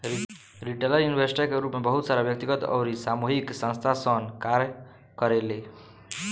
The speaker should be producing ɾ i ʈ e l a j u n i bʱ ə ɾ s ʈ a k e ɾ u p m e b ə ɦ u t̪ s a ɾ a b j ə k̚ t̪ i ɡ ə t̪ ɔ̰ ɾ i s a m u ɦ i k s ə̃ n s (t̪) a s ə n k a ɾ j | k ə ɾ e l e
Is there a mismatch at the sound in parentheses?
yes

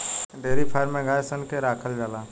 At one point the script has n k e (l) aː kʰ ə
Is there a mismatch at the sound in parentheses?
yes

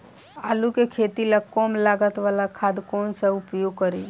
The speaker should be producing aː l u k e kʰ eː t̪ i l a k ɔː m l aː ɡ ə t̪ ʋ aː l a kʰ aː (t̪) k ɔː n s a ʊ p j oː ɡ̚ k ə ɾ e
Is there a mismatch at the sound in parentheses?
yes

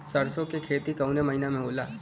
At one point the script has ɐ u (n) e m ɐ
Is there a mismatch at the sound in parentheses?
no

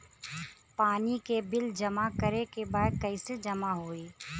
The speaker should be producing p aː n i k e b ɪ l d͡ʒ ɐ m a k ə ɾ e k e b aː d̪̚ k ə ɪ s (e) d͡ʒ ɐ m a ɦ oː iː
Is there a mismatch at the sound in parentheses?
no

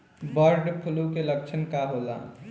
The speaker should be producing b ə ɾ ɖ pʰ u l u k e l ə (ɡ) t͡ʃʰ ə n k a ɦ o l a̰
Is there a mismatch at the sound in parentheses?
yes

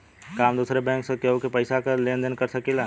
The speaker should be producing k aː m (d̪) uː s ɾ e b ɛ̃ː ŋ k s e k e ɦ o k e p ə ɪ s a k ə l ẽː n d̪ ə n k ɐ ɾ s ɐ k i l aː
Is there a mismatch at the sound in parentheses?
no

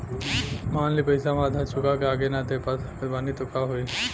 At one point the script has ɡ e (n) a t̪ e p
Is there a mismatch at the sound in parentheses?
no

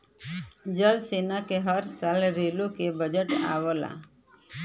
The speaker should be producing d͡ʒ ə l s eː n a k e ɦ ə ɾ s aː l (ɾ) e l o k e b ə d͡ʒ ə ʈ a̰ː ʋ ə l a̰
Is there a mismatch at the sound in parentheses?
no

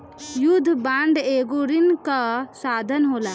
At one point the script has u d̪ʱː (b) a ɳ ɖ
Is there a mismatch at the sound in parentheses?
no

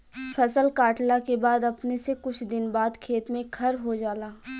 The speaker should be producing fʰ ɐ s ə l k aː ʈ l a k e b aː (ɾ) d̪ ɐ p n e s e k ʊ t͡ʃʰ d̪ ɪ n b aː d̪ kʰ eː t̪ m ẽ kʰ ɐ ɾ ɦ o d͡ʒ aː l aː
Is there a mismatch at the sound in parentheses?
yes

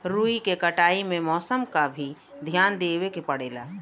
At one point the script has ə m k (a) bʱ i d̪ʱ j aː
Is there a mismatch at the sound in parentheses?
no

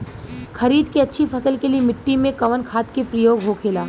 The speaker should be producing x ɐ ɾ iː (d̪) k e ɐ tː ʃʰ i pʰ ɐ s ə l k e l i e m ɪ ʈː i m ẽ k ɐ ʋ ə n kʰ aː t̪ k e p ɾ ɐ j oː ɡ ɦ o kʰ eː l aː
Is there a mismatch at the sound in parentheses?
no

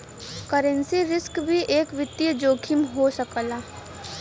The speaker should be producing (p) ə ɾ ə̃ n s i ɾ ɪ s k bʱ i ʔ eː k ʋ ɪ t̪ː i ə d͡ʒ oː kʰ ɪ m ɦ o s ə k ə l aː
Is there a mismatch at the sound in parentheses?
yes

